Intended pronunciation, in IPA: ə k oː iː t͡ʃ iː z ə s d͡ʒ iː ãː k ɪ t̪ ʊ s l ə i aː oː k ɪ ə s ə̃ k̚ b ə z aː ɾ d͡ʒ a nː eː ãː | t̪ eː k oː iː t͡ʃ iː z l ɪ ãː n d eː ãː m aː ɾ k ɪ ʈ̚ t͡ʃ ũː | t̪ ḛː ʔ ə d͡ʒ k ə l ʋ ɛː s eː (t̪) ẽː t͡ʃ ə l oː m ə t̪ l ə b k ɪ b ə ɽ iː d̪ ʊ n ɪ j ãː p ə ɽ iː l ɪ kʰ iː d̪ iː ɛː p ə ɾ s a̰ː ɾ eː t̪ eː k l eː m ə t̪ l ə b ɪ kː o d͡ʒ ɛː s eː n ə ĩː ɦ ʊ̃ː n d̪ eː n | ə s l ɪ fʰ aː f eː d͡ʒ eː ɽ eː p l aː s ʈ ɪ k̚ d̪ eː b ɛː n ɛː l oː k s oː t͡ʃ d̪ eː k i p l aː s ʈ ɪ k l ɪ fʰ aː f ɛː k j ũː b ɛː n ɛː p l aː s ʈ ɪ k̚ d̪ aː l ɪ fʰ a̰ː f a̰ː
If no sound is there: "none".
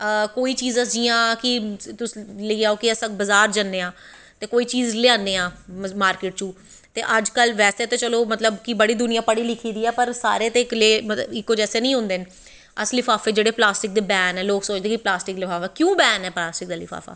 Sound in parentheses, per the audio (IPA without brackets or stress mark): t̪